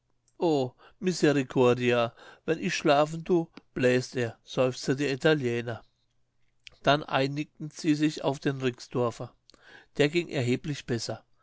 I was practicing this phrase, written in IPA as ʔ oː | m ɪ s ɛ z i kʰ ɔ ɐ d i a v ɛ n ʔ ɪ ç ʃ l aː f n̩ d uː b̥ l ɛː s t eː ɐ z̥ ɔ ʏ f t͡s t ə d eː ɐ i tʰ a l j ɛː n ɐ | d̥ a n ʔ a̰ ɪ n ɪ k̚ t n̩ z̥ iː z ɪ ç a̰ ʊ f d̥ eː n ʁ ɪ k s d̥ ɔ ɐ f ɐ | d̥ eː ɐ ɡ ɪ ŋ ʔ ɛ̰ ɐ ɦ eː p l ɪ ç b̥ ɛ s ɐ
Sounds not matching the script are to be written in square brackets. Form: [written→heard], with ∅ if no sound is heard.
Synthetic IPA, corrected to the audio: ʔ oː | m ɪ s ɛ [z→ʁ] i kʰ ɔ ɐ d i a v ɛ n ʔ ɪ ç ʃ l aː f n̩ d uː b̥ l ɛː s t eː ɐ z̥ ɔ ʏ f t͡s t ə d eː ɐ i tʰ a l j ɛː n ɐ | d̥ a n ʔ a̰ ɪ n ɪ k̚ t n̩ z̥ iː z ɪ ç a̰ ʊ f d̥ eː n ʁ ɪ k s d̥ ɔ ɐ f ɐ | d̥ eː ɐ ɡ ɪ ŋ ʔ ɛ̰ ɐ ɦ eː p l ɪ ç b̥ ɛ s ɐ